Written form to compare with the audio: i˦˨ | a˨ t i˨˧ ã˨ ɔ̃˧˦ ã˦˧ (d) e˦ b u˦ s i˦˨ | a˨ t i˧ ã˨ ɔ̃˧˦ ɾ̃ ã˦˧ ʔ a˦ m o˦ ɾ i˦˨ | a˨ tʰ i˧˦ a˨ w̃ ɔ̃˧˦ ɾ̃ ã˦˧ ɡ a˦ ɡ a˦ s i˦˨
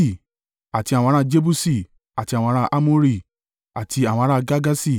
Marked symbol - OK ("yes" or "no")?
no